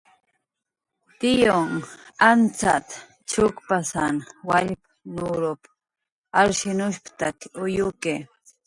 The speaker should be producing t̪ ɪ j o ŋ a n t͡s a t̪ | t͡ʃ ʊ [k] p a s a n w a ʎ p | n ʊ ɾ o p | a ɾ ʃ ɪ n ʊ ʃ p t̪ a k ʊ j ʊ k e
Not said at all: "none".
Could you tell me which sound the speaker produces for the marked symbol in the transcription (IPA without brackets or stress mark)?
k